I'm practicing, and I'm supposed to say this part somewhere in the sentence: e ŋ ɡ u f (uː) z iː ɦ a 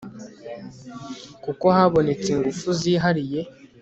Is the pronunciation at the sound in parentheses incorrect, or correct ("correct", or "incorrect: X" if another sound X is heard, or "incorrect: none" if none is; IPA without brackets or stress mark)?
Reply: incorrect: u